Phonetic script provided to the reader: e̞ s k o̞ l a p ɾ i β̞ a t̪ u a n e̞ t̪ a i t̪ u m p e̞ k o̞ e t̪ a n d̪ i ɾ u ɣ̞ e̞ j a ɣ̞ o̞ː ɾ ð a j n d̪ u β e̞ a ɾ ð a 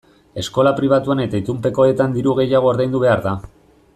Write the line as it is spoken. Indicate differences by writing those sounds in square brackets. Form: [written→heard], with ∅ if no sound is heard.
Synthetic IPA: e̞ s k o̞ l a p ɾ i β̞ a t̪ u a n e̞ t̪ a i t̪ u m p e̞ k o̞ e t̪ a n d̪ i ɾ u ɣ̞ e̞ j a ɣ̞ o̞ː ɾ ð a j n d̪ u β e̞ a ɾ ð a